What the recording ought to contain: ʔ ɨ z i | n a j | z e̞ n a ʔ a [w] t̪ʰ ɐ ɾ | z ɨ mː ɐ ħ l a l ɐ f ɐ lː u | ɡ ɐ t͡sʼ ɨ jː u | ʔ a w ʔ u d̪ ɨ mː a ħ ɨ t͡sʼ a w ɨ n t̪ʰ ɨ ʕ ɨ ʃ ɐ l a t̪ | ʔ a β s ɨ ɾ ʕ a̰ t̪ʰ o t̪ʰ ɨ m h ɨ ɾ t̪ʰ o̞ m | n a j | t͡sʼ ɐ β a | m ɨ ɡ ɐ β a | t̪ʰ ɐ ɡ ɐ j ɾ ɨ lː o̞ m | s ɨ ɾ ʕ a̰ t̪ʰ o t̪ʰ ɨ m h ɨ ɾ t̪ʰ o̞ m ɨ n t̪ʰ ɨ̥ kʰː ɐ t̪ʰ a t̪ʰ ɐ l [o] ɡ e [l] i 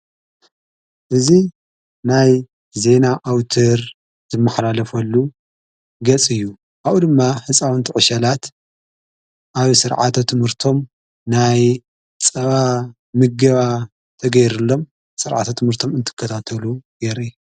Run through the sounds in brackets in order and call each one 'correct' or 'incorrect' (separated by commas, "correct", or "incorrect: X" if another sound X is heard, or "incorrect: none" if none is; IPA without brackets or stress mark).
correct, incorrect: u, incorrect: ɾ